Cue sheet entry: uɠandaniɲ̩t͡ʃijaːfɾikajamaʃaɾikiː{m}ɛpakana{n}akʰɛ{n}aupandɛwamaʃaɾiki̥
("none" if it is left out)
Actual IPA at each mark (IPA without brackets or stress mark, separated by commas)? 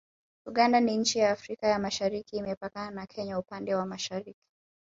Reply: m, n, ɲ